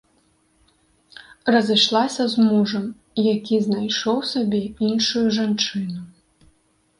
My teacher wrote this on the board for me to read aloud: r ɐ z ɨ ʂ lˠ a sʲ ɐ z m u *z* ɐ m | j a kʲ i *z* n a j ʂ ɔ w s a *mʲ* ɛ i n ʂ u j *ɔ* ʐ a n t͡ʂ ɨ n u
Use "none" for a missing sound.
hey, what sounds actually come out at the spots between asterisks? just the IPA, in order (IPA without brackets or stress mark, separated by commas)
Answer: ʐ, z, bʲ, u